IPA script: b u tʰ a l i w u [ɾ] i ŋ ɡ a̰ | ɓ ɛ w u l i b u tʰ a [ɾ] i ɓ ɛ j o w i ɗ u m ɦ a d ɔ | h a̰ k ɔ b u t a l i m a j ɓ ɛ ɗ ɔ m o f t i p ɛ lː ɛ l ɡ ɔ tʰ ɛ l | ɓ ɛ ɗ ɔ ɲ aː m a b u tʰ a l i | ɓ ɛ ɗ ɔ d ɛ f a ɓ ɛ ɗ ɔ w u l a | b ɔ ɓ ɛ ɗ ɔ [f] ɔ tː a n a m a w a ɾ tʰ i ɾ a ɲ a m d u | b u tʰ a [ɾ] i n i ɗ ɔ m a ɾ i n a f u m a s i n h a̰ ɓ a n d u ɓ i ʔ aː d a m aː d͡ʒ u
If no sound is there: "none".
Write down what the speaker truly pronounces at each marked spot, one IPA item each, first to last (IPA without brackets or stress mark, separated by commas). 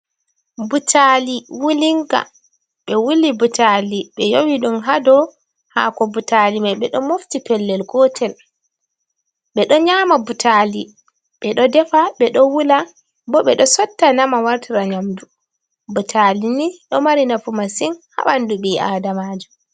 l, l, s, l